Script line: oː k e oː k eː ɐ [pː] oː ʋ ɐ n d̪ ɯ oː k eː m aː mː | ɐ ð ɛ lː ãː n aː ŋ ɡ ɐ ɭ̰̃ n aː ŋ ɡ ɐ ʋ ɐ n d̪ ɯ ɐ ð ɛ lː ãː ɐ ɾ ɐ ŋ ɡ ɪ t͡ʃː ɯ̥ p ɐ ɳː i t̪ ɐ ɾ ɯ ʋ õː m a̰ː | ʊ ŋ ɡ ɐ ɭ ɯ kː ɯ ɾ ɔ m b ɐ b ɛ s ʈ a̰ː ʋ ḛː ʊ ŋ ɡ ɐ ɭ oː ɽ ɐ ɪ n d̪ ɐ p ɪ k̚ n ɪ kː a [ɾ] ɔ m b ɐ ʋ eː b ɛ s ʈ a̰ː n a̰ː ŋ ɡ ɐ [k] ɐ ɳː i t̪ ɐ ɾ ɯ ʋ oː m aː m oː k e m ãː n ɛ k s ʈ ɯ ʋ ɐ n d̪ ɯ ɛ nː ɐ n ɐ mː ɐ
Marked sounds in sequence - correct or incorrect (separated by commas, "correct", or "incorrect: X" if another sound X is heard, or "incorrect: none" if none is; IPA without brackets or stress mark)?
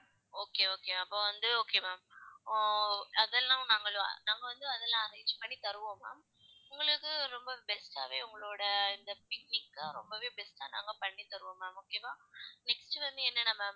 correct, correct, incorrect: p